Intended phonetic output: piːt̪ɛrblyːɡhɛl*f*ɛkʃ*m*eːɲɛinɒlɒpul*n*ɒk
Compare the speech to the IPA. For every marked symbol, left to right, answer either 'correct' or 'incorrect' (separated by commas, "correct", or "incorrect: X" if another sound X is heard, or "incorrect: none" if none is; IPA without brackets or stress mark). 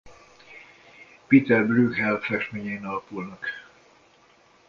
correct, correct, correct